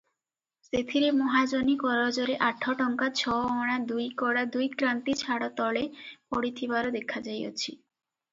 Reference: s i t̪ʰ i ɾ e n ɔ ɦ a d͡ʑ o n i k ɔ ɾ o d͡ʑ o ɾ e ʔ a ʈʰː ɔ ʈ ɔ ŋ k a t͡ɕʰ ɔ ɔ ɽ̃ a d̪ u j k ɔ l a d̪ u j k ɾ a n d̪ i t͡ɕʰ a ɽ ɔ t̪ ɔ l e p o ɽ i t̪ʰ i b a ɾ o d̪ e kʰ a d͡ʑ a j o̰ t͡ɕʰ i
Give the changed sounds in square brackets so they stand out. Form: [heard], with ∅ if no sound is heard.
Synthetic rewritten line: s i t̪ʰ i ɾ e [m] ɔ ɦ a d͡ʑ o n i k ɔ ɾ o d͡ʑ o ɾ e ʔ a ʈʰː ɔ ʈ ɔ ŋ k a t͡ɕʰ ɔ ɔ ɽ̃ a d̪ u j k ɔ [ɽ] a d̪ u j k ɾ a n [t̪] i t͡ɕʰ a ɽ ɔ t̪ ɔ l e p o ɽ i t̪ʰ i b a ɾ o d̪ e kʰ a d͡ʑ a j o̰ t͡ɕʰ i

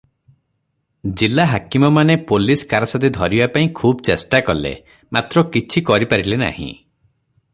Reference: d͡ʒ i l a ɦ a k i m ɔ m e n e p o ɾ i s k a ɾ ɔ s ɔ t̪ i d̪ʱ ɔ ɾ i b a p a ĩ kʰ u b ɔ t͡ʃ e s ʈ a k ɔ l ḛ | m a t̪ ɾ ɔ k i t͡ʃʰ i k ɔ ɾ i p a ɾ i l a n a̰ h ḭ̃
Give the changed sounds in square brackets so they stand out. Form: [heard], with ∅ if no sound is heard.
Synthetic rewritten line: d͡ʒ i l a ɦ a k i m ɔ m [a] n e p o [l] i s k a ɾ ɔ s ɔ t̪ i d̪ʱ ɔ ɾ i b a p a ĩ kʰ u b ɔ t͡ʃ e s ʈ a k ɔ l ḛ | m a t̪ ɾ ɔ k i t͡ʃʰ i k ɔ ɾ i p a ɾ i l [e] n a̰ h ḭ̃

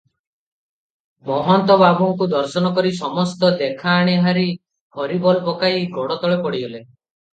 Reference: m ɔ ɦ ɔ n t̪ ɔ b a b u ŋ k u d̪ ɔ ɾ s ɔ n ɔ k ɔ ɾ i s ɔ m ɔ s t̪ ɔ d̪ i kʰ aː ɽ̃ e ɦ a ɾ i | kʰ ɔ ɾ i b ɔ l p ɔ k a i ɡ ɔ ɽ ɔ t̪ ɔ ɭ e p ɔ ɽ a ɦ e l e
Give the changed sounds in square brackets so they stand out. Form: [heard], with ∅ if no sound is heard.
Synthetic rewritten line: m ɔ ɦ ɔ n t̪ ɔ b a b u ŋ k u d̪ ɔ ɾ s ɔ n ɔ k ɔ ɾ i s ɔ m ɔ s t̪ ɔ d̪ [e] kʰ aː ɽ̃ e ɦ a ɾ i | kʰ ɔ ɾ i b ɔ l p ɔ k a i ɡ ɔ ɽ ɔ t̪ ɔ ɭ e p ɔ ɽ [i] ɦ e l e

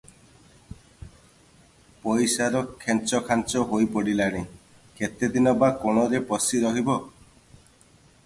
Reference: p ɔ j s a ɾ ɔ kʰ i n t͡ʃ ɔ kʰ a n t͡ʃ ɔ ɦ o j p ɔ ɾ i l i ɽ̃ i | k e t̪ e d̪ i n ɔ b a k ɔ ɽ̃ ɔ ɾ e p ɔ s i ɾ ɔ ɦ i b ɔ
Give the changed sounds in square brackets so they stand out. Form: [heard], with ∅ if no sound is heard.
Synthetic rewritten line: p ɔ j s a ɾ ɔ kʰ [e] n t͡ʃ ɔ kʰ a n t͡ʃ ɔ ɦ o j p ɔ [ɽ] i l [a] ɽ̃ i | k e t̪ e d̪ i n ɔ b a k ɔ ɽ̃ ɔ ɾ e p ɔ s i ɾ ɔ ɦ i b ɔ

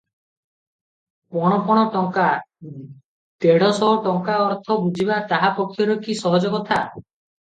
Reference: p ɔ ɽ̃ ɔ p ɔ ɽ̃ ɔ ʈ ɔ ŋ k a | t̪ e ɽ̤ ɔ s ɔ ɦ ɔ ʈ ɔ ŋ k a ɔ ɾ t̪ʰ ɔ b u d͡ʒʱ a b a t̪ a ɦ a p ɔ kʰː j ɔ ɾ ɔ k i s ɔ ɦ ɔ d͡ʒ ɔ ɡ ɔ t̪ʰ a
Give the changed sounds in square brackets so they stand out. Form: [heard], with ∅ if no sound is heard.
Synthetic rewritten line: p ɔ ɽ̃ ɔ p ɔ ɽ̃ ɔ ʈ ɔ ŋ k a | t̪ e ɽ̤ ɔ s ɔ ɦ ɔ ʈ ɔ ŋ k a ɔ ɾ t̪ʰ ɔ b u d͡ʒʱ [i] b a t̪ a ɦ a p ɔ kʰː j ɔ ɾ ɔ k i s ɔ ɦ ɔ d͡ʒ ɔ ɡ ɔ t̪ʰ a

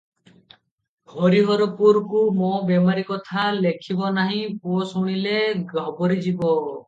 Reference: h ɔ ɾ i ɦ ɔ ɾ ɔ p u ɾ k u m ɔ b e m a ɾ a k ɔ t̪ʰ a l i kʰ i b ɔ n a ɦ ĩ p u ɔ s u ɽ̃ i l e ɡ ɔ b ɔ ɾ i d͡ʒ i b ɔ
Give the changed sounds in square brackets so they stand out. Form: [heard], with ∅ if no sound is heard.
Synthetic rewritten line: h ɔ ɾ i ɦ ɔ ɾ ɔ p u ɾ k u m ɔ b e m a ɾ [i] k ɔ t̪ʰ a l [e] kʰ i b ɔ n a ɦ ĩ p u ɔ s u ɽ̃ i l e ɡ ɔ b ɔ ɾ i d͡ʒ i b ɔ

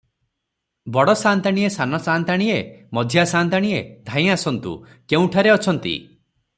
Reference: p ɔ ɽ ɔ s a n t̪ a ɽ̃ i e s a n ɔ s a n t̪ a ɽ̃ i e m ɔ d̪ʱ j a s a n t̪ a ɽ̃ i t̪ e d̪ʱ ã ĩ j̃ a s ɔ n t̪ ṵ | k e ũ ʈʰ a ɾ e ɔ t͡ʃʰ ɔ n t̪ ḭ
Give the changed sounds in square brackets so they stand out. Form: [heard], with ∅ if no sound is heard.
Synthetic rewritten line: [b] ɔ ɽ ɔ s a n t̪ a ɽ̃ i e s a n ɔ s a n t̪ a ɽ̃ i e m ɔ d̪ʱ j a s a n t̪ a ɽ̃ i [∅] e d̪ʱ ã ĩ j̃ a s ɔ n t̪ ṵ | k e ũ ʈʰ a ɾ e ɔ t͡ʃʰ ɔ n t̪ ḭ

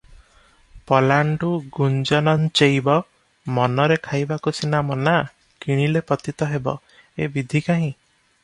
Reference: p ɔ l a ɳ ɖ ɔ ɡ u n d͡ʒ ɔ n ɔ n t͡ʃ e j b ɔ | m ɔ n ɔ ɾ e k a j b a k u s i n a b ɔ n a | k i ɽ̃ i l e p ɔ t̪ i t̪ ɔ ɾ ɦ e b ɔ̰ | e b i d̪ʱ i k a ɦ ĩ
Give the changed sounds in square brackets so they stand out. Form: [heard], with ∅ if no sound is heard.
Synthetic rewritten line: p ɔ l a ɳ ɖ [u] ɡ u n d͡ʒ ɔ n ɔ n t͡ʃ e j b ɔ | m ɔ n ɔ ɾ e [kʰ] a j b a k u s i n a [m] ɔ n a | k i ɽ̃ i l e p ɔ t̪ i t̪ ɔ [∅] ɦ e b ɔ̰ | e b i d̪ʱ i k a ɦ ĩ

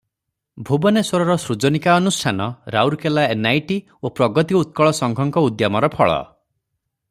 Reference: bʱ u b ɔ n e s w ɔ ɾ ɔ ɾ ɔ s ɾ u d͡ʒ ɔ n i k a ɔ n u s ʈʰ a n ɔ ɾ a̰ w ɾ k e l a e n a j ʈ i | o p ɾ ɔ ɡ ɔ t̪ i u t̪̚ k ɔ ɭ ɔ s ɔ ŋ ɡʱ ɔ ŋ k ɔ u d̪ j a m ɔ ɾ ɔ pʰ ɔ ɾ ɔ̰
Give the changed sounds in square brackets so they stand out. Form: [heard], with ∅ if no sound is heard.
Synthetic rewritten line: bʱ u b ɔ n e s w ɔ ɾ ɔ ɾ ɔ s ɾ u d͡ʒ ɔ n i k a ɔ n u s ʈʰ a n ɔ ɾ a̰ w ɾ k e l a e n a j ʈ i | o p ɾ ɔ ɡ ɔ t̪ i u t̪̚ k ɔ ɭ ɔ s ɔ ŋ ɡʱ ɔ ŋ k ɔ u d̪ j a m ɔ ɾ ɔ pʰ ɔ [ɭ] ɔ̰

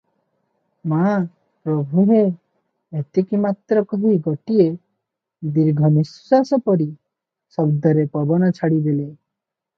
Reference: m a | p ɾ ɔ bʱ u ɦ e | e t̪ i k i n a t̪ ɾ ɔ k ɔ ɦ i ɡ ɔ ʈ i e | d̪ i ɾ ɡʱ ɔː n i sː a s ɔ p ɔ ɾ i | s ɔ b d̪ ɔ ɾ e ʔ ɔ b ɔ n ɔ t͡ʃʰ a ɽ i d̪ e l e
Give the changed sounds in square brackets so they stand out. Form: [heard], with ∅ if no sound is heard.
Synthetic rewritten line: m a | p ɾ ɔ bʱ u ɦ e | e t̪ i k i [m] a t̪ ɾ ɔ k ɔ ɦ i ɡ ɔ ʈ i e | d̪ i ɾ ɡʱ [ɔ] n i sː a s ɔ p ɔ ɾ i | s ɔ b d̪ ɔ ɾ e [p] ɔ b ɔ n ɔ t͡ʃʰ a ɽ i d̪ e l e

